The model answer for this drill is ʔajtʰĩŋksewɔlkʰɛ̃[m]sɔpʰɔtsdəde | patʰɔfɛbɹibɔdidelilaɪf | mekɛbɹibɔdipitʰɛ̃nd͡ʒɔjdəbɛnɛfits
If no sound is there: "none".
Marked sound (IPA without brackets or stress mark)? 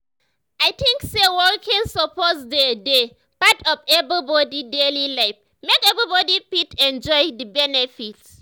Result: n